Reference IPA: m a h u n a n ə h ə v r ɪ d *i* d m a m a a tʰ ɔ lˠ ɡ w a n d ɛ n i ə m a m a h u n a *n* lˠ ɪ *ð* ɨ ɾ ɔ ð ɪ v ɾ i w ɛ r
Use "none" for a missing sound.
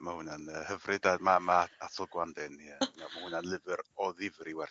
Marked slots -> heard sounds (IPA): a, n, v

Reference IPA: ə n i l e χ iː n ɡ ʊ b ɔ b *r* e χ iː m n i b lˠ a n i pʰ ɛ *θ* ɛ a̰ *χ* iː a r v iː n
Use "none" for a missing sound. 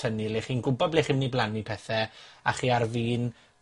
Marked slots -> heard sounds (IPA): l, θ, χ

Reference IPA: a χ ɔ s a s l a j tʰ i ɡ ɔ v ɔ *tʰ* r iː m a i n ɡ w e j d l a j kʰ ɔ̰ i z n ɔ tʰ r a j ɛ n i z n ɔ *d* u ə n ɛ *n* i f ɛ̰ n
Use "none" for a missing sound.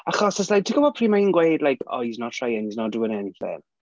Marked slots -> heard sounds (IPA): pʰ, d, n

